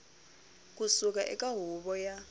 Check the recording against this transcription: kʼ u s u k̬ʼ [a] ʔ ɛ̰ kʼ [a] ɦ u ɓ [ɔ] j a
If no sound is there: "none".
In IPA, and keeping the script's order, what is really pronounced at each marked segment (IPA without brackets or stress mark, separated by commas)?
a, a, ɔ